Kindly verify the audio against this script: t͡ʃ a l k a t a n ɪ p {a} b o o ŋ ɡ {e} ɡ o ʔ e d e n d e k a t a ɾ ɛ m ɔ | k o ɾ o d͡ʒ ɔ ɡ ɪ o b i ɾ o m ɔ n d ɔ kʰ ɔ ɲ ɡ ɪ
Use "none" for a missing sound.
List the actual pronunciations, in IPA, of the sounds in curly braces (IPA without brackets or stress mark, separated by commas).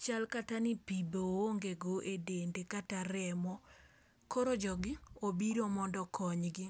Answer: i, e